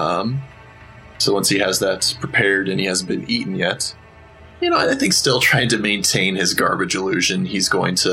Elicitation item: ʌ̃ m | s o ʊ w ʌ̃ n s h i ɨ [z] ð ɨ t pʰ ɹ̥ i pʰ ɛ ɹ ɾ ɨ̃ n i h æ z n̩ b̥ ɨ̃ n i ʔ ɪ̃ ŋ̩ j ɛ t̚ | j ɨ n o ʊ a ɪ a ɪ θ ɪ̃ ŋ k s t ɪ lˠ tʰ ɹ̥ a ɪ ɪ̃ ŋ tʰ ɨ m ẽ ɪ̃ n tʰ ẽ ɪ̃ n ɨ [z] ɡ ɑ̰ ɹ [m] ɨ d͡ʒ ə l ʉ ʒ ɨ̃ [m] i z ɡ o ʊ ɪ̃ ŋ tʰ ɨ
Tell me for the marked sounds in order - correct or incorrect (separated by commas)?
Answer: correct, correct, incorrect, incorrect